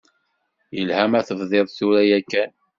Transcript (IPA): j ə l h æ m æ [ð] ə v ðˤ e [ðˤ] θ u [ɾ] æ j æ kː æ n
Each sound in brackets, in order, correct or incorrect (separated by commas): incorrect, correct, correct